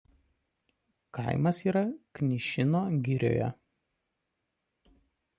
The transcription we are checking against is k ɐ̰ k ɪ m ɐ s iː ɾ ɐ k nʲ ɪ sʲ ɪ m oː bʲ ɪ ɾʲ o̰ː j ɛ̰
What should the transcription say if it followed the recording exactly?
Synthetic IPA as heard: k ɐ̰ ɪ m ɐ s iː ɾ ɐ k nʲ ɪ ʃʲ ɪ n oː ɡʲ ɪ ɾʲ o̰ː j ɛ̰